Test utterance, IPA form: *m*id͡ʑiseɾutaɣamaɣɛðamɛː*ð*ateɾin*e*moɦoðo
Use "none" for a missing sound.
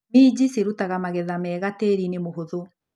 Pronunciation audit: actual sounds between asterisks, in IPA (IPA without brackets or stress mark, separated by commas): m, ɣ, e